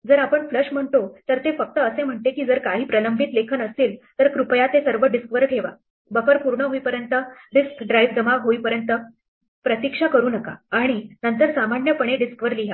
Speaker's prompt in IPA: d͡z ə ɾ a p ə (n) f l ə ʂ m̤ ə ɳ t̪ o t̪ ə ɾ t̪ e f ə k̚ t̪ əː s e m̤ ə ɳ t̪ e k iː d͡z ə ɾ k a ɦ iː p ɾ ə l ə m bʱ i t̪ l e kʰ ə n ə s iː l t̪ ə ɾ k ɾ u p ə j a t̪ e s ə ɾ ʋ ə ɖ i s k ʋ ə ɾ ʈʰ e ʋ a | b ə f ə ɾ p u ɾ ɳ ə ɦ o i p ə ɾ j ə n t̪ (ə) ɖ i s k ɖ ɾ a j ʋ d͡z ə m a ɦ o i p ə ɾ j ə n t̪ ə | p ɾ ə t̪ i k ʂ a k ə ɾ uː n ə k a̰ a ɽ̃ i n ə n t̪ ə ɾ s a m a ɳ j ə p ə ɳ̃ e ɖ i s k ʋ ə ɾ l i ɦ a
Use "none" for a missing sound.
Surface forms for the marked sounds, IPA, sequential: ɳ, ə

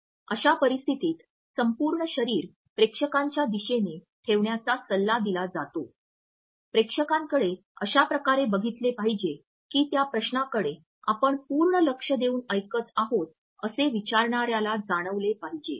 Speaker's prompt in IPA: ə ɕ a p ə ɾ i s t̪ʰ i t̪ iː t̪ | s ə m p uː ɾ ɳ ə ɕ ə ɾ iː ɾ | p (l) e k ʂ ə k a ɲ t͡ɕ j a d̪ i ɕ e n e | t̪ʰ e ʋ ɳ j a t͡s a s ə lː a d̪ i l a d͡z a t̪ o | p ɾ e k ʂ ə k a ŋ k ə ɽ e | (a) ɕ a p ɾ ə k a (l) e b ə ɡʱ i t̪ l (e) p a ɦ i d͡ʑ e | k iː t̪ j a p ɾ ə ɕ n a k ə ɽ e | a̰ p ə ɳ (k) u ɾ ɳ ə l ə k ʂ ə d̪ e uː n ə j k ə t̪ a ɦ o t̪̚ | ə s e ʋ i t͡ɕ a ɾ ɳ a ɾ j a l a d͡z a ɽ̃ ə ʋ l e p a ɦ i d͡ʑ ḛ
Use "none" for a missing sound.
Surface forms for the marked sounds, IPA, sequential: ɾ, ə, ɾ, e, p

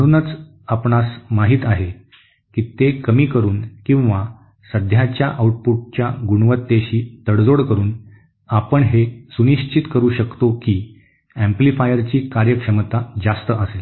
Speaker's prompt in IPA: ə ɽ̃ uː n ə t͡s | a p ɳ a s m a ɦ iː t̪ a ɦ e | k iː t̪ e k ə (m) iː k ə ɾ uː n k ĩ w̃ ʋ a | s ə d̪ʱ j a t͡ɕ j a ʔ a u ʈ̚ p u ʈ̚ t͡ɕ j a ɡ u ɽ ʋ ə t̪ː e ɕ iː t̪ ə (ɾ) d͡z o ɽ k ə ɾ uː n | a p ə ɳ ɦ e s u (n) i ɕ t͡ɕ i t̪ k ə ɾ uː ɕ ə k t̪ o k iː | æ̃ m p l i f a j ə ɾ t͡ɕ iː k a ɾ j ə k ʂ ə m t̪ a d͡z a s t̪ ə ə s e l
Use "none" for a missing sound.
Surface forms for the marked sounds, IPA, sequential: m, ɽ, n

